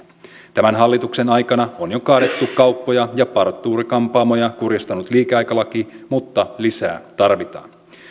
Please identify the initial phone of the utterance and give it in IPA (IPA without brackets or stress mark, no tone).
t̪